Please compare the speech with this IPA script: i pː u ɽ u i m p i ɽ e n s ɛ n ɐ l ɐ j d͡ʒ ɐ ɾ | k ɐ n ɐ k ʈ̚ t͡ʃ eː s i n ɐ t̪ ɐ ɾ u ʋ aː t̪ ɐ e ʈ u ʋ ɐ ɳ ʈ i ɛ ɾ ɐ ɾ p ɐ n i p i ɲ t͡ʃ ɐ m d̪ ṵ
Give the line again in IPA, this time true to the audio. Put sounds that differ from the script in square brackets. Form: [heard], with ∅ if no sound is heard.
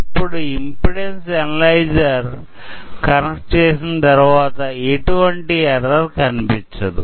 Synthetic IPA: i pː u ɽ u i m p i ɽ e n s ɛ n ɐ l ɐ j d͡ʒ ɐ ɾ | k ɐ n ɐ k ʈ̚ t͡ʃ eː s i n ɐ t̪ ɐ ɾ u ʋ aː t̪ ɐ e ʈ u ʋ ɐ ɳ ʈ i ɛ ɾ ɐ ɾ [k] ɐ n i p i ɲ t͡ʃ ɐ [∅] d̪ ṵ